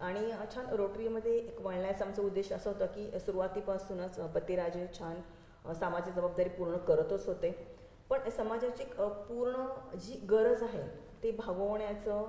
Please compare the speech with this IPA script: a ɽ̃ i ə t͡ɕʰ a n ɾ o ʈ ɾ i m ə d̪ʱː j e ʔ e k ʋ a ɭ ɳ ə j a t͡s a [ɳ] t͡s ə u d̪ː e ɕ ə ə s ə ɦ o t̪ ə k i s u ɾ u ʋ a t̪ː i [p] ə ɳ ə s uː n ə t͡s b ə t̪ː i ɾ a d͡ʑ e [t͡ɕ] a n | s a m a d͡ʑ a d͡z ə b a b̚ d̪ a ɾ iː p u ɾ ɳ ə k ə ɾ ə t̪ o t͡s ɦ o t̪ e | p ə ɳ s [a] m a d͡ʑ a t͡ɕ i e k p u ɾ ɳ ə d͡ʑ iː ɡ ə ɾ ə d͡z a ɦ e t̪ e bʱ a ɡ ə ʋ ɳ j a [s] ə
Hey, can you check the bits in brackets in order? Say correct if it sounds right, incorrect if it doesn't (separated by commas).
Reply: incorrect, correct, incorrect, incorrect, incorrect